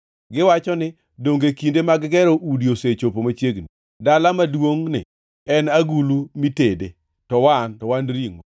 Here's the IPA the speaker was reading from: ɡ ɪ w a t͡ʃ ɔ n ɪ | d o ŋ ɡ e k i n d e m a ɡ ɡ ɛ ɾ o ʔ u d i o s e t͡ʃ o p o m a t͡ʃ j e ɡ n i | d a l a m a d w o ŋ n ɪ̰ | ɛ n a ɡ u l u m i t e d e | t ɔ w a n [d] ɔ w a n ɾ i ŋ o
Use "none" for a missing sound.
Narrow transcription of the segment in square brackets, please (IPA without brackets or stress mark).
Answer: t